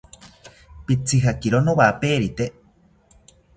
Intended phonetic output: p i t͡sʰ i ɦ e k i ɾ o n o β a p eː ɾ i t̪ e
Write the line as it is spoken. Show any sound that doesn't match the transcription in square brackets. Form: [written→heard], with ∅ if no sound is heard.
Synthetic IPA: p i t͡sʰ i ɦ [e→a] k i ɾ o n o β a p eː ɾ i t̪ e

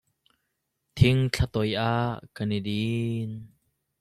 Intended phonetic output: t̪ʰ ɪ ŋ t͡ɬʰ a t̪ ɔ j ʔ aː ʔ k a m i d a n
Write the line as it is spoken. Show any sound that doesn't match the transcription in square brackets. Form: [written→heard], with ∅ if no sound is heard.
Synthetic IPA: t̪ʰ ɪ ŋ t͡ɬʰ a t̪ ɔ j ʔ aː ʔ k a [m→n] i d [a→i] n

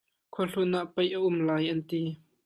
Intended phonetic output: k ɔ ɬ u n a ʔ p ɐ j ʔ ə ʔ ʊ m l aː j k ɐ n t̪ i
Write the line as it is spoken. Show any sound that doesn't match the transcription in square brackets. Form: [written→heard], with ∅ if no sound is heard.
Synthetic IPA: [k→kʰ] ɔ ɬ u n a ʔ p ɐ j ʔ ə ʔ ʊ m l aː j [k→ʔ] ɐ n t̪ i

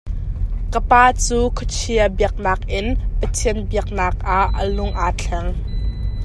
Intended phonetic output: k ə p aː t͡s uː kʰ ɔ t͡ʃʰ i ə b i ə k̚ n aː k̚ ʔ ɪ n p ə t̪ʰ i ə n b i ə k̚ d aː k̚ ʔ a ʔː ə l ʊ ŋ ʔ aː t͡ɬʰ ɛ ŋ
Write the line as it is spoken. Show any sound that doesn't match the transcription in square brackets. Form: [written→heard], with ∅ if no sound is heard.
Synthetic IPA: k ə p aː t͡s uː kʰ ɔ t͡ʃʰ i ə b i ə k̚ n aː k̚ ʔ ɪ n p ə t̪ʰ i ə n b i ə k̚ [d→n] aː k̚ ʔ a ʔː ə l ʊ ŋ ʔ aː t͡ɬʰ ɛ ŋ

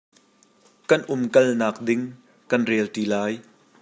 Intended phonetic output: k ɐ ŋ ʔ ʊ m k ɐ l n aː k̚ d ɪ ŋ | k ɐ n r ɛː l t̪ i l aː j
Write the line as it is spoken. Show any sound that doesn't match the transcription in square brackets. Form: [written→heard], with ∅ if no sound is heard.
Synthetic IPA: k ɐ [ŋ→n] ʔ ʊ m k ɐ l n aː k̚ d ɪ ŋ | k ɐ n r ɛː l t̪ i l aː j

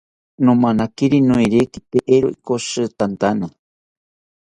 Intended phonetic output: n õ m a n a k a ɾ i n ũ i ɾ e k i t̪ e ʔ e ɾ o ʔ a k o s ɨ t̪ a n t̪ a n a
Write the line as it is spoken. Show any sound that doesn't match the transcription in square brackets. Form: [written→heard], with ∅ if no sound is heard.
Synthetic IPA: n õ m a n a k [a→i] ɾ i n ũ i ɾ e k i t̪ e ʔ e ɾ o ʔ [a→i] k o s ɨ t̪ a n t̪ a n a

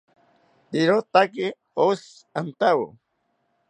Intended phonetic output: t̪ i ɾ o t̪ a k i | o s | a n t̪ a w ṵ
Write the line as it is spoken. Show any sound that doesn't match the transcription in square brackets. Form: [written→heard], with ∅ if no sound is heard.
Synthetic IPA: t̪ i ɾ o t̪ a k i | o s | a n t̪ a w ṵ

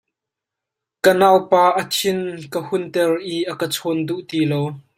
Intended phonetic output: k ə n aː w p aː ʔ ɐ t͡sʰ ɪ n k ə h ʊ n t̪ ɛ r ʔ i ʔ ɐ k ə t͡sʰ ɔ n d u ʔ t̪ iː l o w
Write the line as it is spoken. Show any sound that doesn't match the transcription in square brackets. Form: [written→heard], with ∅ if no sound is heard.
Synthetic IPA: k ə n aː w p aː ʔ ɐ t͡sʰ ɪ n k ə h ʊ n t̪ ɛ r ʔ i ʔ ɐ k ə t͡sʰ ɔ n d u ʔ t̪ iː l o w

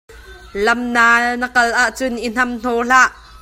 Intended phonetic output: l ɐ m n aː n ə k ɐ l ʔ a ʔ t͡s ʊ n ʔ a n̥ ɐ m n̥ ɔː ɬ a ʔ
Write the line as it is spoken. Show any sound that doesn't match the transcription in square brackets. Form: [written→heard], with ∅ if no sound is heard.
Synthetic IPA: l ɐ m n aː n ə k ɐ l ʔ a ʔ t͡s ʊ n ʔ [a→i] n̥ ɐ m n̥ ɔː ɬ a ʔ

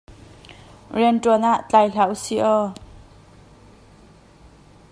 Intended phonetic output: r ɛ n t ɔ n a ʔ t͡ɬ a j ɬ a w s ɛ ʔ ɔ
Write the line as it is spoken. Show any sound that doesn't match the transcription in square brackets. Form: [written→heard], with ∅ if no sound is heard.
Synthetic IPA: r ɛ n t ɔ n a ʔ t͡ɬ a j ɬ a w s [ɛ→i] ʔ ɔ

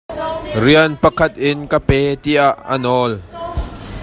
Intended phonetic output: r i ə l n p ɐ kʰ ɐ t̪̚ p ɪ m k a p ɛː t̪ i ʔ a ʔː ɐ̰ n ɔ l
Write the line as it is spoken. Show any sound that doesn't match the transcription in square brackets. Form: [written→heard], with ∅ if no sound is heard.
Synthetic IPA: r i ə [l→∅] n p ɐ kʰ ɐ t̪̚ [p→ʔ] ɪ [m→n] k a p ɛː t̪ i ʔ a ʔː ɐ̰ n ɔ l

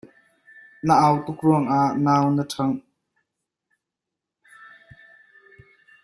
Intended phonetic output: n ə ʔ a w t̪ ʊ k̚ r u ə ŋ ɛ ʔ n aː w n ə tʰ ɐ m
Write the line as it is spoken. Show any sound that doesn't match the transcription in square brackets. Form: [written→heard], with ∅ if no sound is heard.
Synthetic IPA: n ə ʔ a w t̪ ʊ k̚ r u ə ŋ [ɛ→a] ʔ n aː w n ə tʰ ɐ [m→ŋ]

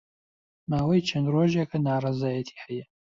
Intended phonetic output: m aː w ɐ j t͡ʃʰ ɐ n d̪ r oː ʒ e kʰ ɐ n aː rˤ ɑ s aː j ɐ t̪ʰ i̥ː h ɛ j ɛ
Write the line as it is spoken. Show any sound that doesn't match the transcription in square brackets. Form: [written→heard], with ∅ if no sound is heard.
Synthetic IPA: m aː w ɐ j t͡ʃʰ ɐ n d̪ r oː ʒ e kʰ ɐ n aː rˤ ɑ [s→z] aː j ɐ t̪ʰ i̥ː h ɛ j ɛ

